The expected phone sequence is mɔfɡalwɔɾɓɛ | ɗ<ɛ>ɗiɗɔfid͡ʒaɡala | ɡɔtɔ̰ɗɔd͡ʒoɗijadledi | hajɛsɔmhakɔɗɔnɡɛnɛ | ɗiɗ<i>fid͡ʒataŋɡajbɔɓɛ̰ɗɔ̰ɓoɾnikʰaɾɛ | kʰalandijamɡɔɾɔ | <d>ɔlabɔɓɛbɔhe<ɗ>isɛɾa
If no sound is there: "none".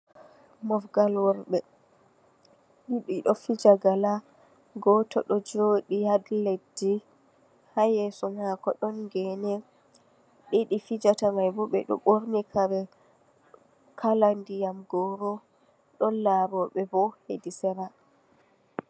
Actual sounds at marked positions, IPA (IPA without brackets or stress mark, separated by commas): i, i, ɗ, d